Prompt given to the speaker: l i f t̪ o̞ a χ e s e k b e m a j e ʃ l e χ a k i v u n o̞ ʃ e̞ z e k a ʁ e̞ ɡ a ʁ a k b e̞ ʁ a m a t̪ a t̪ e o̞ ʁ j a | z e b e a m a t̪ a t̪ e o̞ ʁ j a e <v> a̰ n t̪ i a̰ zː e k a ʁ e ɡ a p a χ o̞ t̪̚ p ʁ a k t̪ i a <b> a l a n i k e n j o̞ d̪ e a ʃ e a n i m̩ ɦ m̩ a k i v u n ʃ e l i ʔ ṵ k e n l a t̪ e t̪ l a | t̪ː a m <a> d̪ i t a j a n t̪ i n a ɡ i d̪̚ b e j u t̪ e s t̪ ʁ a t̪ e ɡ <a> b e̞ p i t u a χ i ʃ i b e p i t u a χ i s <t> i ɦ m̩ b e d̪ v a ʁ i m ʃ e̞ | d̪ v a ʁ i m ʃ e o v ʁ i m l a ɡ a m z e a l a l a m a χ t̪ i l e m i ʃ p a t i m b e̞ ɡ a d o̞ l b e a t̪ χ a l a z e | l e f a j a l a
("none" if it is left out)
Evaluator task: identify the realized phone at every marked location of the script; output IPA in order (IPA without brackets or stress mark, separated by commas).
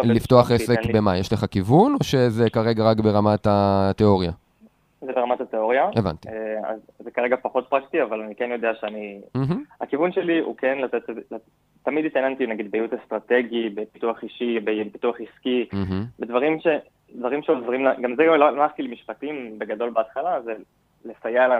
v, v, i, i, k